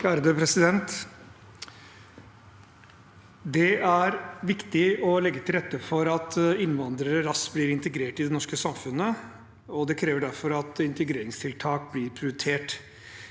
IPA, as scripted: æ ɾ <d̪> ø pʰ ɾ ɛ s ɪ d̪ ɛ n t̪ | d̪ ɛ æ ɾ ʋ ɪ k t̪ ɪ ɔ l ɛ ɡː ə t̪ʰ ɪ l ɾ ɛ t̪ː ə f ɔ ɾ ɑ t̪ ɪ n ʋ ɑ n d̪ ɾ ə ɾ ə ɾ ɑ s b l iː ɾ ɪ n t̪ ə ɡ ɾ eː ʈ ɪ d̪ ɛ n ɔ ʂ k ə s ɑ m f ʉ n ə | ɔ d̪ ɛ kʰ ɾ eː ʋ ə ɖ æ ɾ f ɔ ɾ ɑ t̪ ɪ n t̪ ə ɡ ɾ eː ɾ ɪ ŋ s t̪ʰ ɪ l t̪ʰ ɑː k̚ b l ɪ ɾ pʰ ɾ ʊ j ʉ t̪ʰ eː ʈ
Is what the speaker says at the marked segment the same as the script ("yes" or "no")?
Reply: yes